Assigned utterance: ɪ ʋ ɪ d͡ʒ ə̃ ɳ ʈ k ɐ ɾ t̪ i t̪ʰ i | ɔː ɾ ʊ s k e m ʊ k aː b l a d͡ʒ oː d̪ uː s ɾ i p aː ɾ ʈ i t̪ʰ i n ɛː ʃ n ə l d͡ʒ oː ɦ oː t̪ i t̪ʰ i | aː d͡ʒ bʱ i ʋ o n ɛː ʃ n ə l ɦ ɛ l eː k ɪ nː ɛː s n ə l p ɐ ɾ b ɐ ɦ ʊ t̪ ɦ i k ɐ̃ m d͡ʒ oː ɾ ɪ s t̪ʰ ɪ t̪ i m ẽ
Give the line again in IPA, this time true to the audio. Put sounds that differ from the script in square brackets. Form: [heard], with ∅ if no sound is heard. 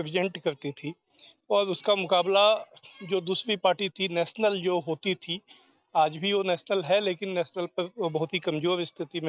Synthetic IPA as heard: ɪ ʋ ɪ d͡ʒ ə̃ ɳ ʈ k ɐ ɾ t̪ i t̪ʰ i | ɔː ɾ ʊ s k [a] m ʊ k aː b l a d͡ʒ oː d̪ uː s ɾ i p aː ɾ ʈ i t̪ʰ i n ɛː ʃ n ə l d͡ʒ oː ɦ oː t̪ i t̪ʰ i | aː d͡ʒ bʱ i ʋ o n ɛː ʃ n ə l ɦ ɛ l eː k ɪ nː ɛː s n ə l p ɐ ɾ b ɐ ɦ ʊ t̪ ɦ i k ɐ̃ m d͡ʒ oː ɾ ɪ s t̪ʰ ɪ t̪ i m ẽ